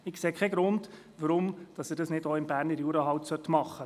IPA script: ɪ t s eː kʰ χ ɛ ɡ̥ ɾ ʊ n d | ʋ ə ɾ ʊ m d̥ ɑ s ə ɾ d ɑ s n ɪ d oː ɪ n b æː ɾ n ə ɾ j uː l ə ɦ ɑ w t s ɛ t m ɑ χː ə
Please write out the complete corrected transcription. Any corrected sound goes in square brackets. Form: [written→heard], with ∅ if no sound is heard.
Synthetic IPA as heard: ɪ [t→k] s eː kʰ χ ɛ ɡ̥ ɾ ʊ n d | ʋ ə ɾ ʊ m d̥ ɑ s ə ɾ d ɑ s n ɪ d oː ɪ [n→m] b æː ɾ n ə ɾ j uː [l→ɾ] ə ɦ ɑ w t s [ɛ→œ] t m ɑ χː ə

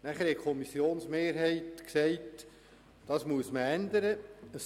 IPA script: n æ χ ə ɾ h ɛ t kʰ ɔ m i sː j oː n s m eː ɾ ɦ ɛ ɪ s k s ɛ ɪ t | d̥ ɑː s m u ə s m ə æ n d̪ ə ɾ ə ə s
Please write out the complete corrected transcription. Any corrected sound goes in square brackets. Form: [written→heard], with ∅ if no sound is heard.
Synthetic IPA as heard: n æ χ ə ɾ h ɛ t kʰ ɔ m i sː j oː n s m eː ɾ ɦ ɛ ɪ [s→t] k s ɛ ɪ t | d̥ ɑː s m u ə s m ə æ n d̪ ə ɾ ə ə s

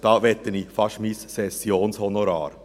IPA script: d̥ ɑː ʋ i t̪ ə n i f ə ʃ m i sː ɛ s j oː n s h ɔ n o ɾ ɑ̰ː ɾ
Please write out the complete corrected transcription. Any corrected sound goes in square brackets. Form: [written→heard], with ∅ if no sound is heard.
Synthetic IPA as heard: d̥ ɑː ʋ [i→ɛ] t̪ ə n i f [ə→ɑ] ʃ m i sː ɛ s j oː n s h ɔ n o ɾ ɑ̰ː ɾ

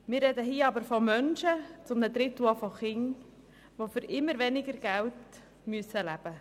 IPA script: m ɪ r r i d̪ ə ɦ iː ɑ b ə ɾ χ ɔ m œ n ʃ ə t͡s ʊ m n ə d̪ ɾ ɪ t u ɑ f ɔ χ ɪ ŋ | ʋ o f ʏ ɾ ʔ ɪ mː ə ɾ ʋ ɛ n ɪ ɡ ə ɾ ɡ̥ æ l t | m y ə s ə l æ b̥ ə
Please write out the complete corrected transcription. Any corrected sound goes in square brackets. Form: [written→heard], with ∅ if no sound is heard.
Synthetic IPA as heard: m ɪ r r [i→ɛ] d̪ ə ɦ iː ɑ b ə ɾ [χ→f] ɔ m œ n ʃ ə t͡s ʊ m n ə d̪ ɾ ɪ t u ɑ f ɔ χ ɪ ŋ | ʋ o f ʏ ɾ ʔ ɪ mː ə ɾ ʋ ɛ n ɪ ɡ ə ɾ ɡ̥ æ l t | m y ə s ə l æ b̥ ə

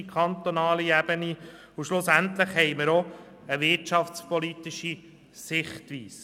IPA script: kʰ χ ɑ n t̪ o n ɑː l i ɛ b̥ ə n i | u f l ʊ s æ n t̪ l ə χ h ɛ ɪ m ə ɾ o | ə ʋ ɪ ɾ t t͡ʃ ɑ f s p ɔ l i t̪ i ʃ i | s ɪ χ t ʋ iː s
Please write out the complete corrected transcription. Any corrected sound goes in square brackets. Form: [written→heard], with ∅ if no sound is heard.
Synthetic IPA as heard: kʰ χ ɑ n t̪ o n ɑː l i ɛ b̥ ə n i | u [f→ʃ] l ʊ s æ n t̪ l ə χ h ɛ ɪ m ə ɾ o | ə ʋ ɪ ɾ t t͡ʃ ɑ f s p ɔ l i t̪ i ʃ i | s ɪ χ t ʋ iː s

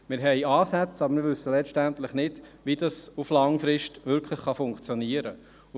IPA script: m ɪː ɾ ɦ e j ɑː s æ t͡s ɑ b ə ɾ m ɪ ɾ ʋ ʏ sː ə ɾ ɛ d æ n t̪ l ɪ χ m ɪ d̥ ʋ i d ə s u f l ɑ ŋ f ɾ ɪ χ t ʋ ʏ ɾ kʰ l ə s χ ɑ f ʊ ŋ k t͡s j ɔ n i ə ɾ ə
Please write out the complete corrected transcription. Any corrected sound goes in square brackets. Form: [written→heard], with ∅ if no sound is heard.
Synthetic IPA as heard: m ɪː ɾ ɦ [e→ɛ] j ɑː s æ t͡s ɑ b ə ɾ m ɪ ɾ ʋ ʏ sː ə [ɾ→l] ɛ [d→t] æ n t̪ l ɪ χ [m→n] ɪ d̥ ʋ i d [ə→ɑ] s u f l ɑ ŋ f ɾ ɪ [χ→ʃ] t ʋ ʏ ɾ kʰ l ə [s→χ] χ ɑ f ʊ ŋ k t͡s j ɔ n i ə ɾ ə

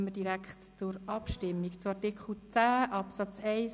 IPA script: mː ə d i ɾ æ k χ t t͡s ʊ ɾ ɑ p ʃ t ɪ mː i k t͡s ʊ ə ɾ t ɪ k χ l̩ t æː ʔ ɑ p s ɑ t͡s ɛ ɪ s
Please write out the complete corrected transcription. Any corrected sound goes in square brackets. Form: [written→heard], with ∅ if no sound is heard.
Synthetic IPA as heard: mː ə d i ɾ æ k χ t t͡s ʊ ɾ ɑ p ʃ t ɪ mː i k t͡s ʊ [ə→ɑ] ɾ t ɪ k χ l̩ [t→t͡s] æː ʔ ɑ p s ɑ t͡s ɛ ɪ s

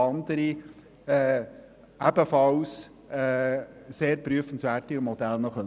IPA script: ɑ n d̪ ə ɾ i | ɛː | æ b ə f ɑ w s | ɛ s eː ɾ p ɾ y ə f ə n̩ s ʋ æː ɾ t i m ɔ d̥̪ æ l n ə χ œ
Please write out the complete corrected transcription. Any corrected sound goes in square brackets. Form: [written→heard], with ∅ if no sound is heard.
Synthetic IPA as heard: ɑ n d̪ ə ɾ i | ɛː | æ b ə f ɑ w s | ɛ s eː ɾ p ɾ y ə f ə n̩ s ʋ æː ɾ t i m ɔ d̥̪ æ l n ə χ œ

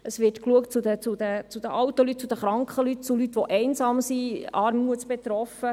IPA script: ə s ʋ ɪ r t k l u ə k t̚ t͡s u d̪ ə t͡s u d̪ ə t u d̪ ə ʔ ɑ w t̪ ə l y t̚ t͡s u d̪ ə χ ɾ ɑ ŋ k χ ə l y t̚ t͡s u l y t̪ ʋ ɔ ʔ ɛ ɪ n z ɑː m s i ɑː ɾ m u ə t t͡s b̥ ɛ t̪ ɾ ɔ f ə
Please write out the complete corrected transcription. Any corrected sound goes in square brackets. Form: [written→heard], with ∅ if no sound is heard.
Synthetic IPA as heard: ə s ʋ ɪ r t k l u ə k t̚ t͡s u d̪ ə t͡s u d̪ ə [t→t͡s] u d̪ ə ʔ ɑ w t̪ ə l y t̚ t͡s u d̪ ə χ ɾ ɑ ŋ k χ ə l y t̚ t͡s u l y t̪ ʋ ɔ ʔ ɛ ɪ n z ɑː m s i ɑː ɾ m u ə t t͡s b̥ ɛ t̪ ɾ ɔ f ə

